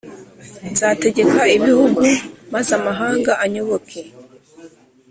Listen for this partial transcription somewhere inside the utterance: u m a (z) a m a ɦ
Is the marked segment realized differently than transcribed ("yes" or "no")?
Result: no